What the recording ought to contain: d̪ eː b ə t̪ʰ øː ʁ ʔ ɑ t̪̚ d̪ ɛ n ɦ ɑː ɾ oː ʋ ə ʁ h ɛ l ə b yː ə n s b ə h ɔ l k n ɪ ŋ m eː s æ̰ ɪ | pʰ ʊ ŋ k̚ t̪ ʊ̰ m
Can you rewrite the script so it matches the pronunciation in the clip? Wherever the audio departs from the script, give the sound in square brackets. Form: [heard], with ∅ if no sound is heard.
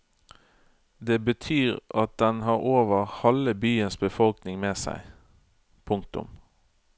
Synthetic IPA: d̪ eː b ə t̪ʰ [yː] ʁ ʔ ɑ t̪̚ d̪ ɛ n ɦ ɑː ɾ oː ʋ ə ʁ h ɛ l ə b yː ə n s b ə [f] ɔ l k n ɪ ŋ m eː s æ̰ ɪ | pʰ ʊ ŋ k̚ t̪ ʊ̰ m